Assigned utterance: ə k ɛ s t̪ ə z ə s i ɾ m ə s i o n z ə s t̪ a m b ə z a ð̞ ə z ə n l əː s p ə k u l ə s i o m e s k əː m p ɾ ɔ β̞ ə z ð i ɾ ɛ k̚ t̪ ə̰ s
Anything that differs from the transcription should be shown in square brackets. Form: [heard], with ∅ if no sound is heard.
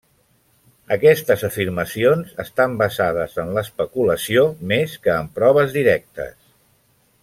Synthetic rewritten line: ə k ɛ s t̪ ə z ə [f] i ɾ m ə s i o n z ə s t̪ a m b ə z a ð̞ ə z ə n l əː s p ə k u l ə s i o m e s k əː m p ɾ ɔ β̞ ə z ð i ɾ ɛ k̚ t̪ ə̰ s